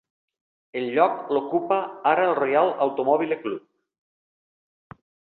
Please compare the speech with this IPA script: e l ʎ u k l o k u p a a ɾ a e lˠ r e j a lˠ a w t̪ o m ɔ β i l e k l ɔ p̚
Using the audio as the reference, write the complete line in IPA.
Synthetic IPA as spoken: e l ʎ ɔ k l o k u p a a ɾ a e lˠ r e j a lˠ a w t̪ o m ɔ β i l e k l u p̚